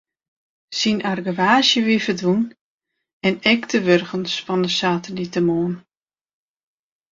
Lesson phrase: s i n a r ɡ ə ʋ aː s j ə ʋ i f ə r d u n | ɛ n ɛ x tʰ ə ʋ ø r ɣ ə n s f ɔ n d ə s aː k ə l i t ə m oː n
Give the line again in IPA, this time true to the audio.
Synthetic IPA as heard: s i n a r ɡ ə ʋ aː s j ə ʋ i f ə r d u n | ɛ n ɛ k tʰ ə ʋ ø r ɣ ə n s f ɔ n d ə s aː t ə l i t ə m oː n